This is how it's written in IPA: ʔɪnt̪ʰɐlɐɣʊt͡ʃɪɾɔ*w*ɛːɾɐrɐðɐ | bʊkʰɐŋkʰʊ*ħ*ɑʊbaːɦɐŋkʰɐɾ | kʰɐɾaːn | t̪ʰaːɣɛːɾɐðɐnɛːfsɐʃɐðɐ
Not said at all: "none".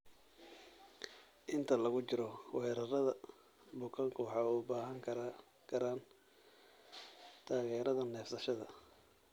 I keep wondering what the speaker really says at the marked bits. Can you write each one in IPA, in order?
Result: w, ħ

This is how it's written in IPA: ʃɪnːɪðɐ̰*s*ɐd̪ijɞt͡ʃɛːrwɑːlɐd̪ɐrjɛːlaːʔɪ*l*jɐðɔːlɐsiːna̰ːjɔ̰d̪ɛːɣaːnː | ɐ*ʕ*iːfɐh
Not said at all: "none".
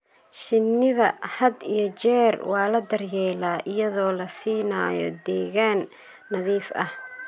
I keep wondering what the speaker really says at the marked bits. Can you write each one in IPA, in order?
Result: h, none, ð

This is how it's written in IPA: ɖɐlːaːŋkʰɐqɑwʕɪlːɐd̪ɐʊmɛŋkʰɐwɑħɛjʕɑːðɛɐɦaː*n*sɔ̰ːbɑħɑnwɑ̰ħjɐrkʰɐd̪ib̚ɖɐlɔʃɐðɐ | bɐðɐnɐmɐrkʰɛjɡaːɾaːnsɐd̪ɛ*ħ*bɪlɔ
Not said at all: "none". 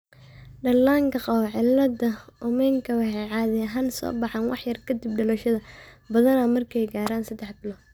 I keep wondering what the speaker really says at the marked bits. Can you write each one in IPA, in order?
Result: n, ħ

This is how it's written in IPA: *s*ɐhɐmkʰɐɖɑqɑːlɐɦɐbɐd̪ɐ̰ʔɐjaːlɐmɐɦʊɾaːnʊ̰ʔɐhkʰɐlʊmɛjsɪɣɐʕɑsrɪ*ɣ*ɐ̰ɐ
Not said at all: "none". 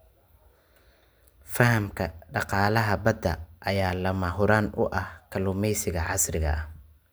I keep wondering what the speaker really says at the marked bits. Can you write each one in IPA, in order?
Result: f, ɣ

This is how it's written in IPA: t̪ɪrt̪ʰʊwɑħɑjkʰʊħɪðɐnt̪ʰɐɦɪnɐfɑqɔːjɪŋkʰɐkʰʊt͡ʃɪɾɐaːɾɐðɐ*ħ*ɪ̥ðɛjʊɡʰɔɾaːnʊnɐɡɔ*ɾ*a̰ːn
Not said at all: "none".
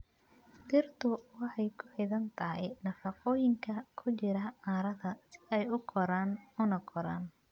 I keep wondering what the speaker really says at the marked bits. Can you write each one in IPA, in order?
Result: s, ɾ

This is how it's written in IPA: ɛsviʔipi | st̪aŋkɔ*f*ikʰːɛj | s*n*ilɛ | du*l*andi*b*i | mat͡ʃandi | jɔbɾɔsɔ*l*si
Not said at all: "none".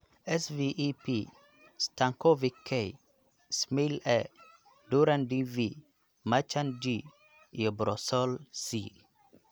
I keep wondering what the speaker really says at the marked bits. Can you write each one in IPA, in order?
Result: v, m, ɾ, v, l

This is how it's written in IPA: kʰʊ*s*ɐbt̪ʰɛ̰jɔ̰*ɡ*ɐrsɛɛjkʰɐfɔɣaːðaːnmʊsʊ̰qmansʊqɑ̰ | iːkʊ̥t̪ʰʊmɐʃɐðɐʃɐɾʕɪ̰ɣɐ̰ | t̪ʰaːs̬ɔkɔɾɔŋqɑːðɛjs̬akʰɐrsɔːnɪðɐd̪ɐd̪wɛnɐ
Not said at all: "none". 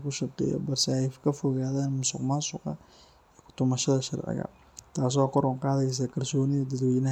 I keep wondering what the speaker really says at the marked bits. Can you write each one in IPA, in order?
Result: ʃ, b

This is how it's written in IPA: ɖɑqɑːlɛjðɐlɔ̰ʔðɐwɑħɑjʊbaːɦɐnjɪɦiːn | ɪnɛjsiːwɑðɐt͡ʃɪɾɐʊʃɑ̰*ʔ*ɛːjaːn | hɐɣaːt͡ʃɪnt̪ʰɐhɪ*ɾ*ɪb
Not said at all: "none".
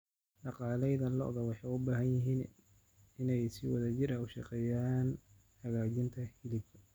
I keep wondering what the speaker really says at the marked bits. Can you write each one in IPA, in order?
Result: q, l

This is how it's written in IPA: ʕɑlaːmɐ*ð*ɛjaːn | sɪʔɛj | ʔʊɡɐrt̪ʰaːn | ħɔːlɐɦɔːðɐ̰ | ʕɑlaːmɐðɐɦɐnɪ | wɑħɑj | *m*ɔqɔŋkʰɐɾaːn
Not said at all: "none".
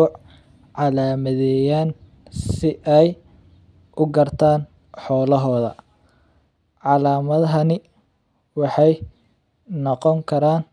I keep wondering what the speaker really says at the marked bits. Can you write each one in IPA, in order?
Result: ð, n

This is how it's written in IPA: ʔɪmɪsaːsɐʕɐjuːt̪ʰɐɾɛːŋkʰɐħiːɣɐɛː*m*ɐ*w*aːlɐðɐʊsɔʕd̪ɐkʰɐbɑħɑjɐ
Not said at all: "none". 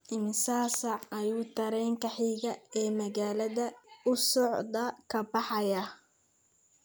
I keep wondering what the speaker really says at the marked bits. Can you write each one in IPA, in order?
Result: m, ɣ

